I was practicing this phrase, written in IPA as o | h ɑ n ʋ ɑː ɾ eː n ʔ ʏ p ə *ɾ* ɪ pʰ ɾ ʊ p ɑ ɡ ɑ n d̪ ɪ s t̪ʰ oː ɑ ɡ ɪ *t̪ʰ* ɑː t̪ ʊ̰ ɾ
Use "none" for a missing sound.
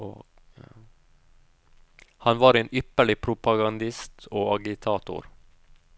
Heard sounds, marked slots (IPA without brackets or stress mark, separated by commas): ɭ, t̪ʰ